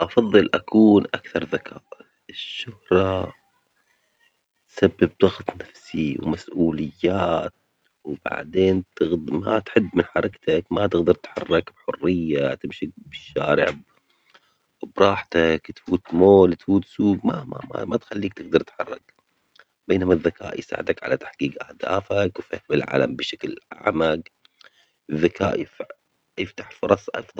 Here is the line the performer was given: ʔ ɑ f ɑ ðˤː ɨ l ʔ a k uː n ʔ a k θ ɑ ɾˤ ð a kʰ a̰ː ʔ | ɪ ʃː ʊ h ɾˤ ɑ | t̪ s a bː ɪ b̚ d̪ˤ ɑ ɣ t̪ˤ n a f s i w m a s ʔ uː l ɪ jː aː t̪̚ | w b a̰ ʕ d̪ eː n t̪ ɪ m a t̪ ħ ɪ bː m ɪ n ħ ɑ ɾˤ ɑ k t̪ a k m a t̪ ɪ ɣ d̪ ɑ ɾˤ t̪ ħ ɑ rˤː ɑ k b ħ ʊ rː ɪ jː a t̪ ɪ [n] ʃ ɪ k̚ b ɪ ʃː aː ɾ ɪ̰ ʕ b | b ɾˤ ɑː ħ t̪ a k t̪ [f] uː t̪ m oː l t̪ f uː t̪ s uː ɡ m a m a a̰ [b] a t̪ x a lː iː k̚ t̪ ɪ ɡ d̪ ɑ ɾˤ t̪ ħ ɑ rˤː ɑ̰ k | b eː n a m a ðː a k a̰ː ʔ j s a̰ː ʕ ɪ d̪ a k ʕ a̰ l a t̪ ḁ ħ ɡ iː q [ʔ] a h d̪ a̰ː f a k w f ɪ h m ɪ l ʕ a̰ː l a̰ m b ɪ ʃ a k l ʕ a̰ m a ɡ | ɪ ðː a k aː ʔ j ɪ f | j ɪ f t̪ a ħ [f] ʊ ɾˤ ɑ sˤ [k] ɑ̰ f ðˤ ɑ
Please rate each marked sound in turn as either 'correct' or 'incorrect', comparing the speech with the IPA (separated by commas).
incorrect, correct, incorrect, correct, correct, incorrect